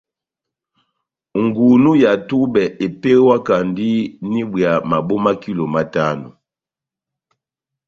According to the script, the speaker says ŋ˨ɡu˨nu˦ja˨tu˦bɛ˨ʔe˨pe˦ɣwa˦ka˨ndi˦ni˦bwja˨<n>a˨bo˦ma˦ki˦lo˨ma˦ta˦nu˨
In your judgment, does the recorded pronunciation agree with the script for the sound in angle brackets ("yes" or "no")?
no